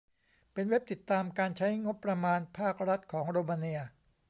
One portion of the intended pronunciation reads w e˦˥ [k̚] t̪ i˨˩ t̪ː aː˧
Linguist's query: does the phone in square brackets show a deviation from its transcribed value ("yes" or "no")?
yes